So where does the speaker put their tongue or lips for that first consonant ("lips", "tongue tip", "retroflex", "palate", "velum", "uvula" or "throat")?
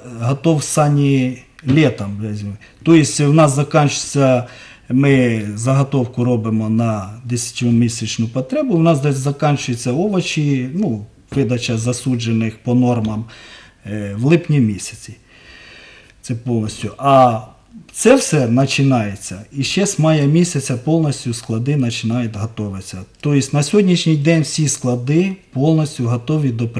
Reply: throat